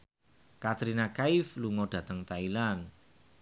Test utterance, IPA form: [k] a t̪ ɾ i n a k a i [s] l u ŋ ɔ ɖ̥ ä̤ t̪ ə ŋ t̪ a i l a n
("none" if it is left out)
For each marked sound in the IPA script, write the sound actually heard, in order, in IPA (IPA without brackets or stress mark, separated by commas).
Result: k, f